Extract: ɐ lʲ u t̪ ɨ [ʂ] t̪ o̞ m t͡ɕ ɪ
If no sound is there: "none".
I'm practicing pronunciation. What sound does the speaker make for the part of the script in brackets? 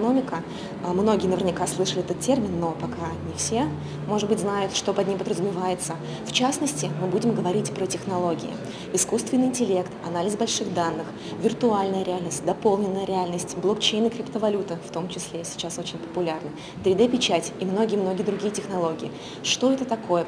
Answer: f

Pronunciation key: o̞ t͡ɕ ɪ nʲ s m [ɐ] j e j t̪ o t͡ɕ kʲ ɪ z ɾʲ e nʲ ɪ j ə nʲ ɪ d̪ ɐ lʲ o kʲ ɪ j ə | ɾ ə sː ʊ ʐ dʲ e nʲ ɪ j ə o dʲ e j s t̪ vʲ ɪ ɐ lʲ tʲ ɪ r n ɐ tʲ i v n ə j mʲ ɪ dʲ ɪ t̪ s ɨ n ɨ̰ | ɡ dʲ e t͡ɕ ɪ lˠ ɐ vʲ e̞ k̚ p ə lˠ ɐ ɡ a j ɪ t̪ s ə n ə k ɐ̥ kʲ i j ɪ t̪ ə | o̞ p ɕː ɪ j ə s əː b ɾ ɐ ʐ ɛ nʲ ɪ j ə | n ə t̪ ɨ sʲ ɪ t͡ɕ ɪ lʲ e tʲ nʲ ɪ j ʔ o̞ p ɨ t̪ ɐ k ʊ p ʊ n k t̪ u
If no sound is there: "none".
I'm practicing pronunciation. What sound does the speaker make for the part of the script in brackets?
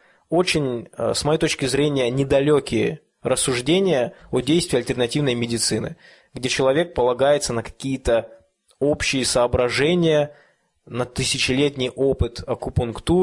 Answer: ɐ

